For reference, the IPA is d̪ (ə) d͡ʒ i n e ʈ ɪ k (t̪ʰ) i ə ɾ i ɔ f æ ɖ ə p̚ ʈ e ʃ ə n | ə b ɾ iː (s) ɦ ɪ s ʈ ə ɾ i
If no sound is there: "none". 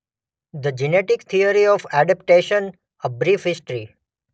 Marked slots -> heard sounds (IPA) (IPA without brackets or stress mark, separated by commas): ə, t̪ʰ, f